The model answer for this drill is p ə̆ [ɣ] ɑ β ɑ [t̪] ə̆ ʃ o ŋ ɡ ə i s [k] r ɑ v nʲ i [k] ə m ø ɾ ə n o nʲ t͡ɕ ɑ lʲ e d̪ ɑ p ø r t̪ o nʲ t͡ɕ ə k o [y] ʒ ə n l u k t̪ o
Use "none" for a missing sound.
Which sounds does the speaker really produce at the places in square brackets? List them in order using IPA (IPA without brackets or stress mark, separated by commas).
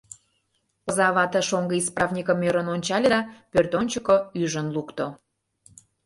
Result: z, t̪, p, k, y